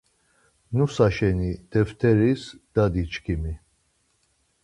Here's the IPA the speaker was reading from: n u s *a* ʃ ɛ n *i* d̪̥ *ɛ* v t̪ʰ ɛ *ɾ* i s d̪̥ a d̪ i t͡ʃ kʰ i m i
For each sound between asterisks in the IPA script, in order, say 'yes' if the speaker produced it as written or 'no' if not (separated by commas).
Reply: yes, yes, yes, yes